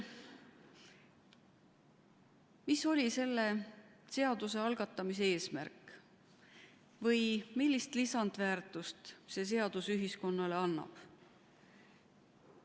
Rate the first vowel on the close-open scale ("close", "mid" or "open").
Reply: close